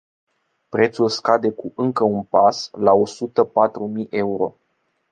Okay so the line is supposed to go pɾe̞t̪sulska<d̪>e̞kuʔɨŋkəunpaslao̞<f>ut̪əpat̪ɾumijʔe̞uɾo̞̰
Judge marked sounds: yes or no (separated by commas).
yes, no